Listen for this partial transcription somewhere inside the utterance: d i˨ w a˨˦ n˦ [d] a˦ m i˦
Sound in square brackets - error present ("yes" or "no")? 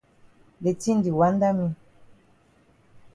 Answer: no